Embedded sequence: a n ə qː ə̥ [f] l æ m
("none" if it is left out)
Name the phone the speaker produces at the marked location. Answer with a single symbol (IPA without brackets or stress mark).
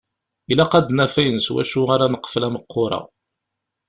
f